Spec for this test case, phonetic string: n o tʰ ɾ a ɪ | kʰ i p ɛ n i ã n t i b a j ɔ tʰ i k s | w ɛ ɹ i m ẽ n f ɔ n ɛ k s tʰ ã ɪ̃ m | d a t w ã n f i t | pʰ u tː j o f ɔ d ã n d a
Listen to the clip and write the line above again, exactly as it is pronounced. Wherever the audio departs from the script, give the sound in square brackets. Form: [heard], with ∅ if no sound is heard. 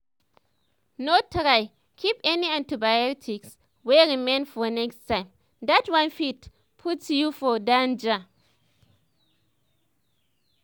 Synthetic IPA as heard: n o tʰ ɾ a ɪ | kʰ i p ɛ n i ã n t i b a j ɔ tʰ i k s | w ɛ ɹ i m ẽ n f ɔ n ɛ k s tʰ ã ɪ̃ m | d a t w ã n f i t | pʰ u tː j [u] f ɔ d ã n [d͡ʒ] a